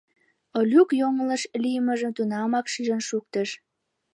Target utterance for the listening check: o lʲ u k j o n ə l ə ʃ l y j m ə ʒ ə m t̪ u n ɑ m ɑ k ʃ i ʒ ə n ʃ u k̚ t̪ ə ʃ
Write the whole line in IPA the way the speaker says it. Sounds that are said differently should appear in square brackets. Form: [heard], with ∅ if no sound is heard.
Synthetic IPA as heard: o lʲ u k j o [ŋ] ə l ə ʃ l [i] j m ə ʒ ə m t̪ u n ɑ m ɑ k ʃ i ʒ ə n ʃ u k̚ t̪ ə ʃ